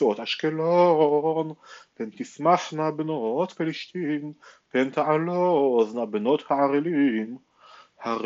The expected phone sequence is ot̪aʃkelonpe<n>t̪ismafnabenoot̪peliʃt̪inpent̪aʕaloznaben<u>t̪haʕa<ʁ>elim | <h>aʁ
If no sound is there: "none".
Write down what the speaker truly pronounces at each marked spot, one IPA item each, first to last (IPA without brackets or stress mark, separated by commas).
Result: n, o, ʁ, h